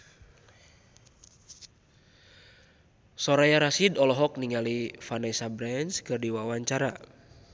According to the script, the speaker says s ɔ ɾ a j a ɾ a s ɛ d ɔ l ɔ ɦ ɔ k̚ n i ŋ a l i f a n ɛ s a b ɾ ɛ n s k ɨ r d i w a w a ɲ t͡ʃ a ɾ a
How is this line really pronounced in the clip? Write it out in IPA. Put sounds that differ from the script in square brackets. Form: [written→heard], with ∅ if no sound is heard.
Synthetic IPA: s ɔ ɾ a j a ɾ a s [ɛ→i] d ɔ l ɔ ɦ ɔ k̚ n i ŋ a l i f a n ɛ s a b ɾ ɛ n s k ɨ r d i w a w a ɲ t͡ʃ a ɾ a